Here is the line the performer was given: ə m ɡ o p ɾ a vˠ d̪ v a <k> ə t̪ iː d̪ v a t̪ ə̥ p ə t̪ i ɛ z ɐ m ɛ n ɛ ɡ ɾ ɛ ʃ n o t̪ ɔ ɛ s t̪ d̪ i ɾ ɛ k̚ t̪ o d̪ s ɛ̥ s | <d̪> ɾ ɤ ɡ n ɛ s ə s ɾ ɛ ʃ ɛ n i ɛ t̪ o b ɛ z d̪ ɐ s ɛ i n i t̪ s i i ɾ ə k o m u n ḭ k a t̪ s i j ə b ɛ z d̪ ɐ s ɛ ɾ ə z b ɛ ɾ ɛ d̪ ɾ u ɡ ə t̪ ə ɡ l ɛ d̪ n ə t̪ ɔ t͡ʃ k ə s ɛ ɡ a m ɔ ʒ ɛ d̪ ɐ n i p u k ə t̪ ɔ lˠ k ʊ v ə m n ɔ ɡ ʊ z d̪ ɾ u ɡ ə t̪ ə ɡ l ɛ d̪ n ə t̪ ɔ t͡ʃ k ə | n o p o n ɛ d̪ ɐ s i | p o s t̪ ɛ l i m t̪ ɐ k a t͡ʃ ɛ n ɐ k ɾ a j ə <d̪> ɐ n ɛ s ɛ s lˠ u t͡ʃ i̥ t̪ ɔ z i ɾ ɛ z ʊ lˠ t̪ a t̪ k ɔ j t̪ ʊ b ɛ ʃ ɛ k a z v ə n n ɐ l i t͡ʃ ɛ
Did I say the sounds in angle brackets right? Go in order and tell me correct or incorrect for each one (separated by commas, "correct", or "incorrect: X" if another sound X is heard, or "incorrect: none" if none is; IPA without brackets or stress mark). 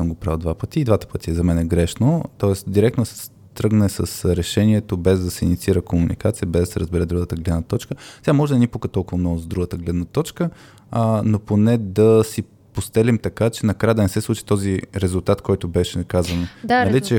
incorrect: p, incorrect: t̪, correct